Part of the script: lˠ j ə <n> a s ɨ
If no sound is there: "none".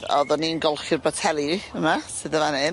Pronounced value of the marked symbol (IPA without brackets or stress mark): m